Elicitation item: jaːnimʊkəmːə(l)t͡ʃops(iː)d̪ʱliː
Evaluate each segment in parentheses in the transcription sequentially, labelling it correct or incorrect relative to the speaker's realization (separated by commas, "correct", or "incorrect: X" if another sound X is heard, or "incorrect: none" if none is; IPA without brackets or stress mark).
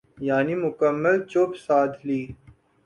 correct, incorrect: aː